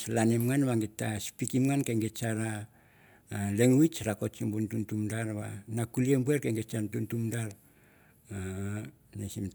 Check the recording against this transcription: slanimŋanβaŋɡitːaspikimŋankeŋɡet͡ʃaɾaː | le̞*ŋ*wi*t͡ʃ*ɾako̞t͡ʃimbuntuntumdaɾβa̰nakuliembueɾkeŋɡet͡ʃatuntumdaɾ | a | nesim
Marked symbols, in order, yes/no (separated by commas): yes, yes